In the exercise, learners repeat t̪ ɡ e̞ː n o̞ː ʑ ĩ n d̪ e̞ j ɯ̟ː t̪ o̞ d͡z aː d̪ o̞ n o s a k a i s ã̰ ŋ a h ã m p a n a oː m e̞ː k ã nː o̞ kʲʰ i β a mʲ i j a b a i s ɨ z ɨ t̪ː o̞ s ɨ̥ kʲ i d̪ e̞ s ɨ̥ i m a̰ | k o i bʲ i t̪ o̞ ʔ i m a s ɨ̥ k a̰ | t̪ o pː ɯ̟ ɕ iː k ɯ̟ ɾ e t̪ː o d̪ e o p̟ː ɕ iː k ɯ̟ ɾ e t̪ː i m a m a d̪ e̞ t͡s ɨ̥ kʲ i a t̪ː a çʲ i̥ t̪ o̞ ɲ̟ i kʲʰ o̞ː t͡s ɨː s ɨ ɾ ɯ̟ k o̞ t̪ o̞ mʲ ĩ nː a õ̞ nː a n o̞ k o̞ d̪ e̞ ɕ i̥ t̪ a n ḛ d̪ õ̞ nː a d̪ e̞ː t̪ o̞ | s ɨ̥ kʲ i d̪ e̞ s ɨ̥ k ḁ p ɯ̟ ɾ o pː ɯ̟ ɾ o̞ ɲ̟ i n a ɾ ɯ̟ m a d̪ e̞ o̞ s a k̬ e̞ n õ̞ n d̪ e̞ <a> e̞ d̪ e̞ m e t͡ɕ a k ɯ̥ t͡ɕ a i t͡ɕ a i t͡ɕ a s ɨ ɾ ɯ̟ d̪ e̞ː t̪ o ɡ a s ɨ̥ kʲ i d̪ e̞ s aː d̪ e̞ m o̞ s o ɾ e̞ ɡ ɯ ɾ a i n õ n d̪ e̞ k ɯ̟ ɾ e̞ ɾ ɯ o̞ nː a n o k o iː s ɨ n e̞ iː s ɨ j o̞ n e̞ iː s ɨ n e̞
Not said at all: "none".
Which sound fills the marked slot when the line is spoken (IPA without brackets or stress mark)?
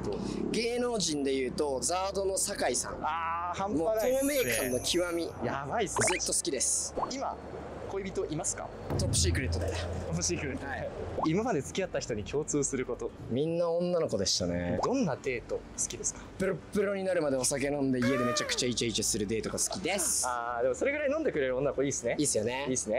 i